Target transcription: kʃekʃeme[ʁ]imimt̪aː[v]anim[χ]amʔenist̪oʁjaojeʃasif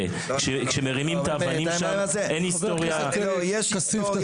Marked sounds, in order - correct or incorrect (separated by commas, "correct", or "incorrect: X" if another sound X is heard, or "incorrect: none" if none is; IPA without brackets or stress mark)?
correct, correct, incorrect: ʃ